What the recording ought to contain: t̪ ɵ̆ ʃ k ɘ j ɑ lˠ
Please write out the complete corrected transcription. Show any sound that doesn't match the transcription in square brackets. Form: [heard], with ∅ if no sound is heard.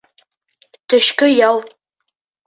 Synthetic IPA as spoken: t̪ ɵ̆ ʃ k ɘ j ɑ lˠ